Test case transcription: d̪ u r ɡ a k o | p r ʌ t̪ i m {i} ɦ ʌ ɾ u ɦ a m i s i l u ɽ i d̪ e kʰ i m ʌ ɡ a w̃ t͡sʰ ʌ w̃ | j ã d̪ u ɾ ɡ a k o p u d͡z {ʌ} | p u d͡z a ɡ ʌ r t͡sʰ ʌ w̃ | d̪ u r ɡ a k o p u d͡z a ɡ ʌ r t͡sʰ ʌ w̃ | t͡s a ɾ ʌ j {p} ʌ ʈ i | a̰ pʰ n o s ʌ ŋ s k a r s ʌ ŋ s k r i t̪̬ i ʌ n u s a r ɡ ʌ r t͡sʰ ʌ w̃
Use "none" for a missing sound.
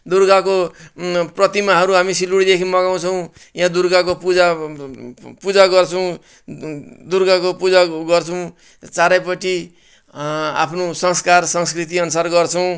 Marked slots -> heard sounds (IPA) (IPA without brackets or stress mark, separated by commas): a, a, p